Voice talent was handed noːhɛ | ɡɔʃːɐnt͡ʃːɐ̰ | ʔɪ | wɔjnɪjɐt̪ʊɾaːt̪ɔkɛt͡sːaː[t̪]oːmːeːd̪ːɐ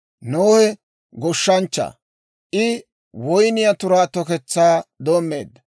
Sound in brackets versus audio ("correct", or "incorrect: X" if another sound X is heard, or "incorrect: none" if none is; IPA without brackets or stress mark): incorrect: d̪